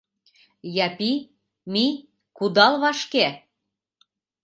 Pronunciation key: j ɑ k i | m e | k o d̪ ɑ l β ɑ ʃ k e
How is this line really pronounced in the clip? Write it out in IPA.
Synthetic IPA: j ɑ p i | m i | k u d̪ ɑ l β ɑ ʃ k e

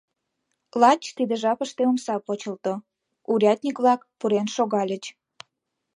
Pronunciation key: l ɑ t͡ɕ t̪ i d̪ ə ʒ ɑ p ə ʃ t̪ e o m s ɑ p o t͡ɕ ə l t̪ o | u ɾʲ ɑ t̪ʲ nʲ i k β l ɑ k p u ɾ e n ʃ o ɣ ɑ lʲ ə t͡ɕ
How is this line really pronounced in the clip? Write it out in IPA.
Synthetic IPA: l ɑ t͡ɕ t̪ i d̪ ə ʒ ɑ p ə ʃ t̪ e o m s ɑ p o t͡ɕ ə l t̪ o | u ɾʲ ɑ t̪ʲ nʲ i k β l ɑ k p u ɾ e n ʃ o ɣ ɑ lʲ ə t͡ɕ

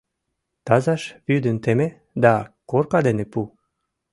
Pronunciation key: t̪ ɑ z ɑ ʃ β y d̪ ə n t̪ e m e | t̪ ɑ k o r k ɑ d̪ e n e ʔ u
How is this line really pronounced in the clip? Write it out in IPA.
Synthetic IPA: t̪ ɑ z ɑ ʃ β y d̪ ə n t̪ e m e | d̪ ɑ k o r k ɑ d̪ e n e p u

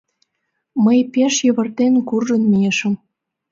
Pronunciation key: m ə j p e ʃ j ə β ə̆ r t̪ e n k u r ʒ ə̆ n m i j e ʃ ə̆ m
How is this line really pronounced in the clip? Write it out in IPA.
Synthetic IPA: m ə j p e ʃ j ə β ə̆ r t̪ e n k u r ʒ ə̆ n m i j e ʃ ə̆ m

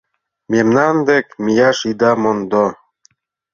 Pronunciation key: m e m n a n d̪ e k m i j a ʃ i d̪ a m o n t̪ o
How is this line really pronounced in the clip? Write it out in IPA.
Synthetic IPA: m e m n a n d̪ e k m i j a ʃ i d̪ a m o n d̪ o

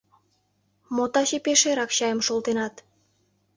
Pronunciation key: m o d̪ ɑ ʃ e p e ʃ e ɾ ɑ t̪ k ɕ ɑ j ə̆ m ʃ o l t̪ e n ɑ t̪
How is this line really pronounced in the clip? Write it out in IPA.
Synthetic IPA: m o t̪ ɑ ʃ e p e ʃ e ɾ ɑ k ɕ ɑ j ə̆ m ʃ o l t̪ e n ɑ t̪

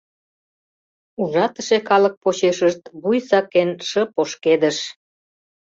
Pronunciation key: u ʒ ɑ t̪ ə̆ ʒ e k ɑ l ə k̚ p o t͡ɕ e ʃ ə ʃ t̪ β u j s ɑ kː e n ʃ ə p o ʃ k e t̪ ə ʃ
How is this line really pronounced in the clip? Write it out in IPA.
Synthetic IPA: u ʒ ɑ t̪ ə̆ ʃ e k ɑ l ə k̚ p o t͡ɕ e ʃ ə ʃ t̪ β u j s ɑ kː e n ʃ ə p o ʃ k e d̪ ə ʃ

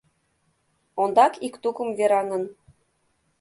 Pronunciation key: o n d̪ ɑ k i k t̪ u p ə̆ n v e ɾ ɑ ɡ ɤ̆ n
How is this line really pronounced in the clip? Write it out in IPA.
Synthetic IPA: o n d̪ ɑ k i k t̪ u k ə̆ m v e ɾ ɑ ŋ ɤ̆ n

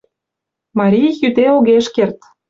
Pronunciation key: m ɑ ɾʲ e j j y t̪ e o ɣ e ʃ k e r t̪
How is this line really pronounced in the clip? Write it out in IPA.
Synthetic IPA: m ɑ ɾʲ i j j y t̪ e o ɣ e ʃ k e r t̪

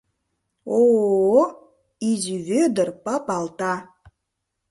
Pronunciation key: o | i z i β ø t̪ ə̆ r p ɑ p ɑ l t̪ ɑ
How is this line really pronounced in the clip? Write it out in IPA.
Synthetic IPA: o | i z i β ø d̪ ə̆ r p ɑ p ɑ l t̪ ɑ

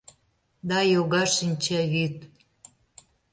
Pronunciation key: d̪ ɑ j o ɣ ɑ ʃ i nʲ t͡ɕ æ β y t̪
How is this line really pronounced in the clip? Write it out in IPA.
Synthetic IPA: d̪ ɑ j o ɣ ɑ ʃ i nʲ t͡ɕ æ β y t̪

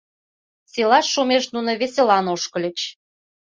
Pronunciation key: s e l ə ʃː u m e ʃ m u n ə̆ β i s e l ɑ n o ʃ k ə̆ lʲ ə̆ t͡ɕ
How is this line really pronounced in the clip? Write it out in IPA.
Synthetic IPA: s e l ɑ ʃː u m e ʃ n u n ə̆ β e s e l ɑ n o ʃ k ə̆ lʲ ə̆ t͡ɕ

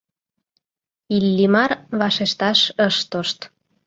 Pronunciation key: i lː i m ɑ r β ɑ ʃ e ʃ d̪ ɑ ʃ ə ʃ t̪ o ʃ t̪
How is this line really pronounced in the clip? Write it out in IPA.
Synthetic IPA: i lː i m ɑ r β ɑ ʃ e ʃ t̪ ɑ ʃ ə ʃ t̪ o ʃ t̪

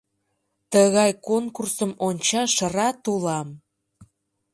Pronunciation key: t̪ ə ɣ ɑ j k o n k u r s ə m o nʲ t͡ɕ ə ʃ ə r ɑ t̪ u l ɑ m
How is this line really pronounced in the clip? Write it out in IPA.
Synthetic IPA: t̪ ə ɣ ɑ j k o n k u r s ə m o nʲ t͡ɕ ɑ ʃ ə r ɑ t̪ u l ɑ m

